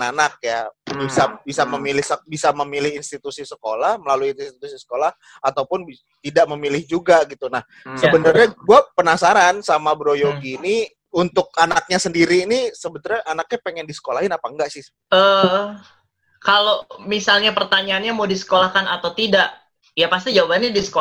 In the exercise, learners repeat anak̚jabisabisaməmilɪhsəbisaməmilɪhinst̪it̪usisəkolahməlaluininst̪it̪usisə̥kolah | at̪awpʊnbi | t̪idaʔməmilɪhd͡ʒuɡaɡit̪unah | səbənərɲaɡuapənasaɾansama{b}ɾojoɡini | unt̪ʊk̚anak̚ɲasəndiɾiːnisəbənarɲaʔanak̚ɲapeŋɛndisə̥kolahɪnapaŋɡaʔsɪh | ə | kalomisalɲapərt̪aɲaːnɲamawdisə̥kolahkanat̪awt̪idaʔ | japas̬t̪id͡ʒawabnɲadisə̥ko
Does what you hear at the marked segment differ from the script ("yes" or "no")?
no